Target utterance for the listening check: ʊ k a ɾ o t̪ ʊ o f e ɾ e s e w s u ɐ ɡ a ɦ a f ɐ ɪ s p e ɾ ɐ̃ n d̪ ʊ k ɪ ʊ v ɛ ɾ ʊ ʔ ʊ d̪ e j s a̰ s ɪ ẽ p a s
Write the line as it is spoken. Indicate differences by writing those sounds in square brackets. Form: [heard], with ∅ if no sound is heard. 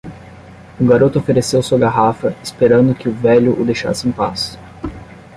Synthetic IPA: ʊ [ɡ] a ɾ o t̪ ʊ o f e ɾ e s e w s u ɐ ɡ a ɦ a f ɐ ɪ s p e ɾ ɐ̃ n d̪ ʊ k ɪ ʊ v ɛ [ʎ] ʊ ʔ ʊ d̪ e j [ʃ] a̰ s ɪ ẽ p a s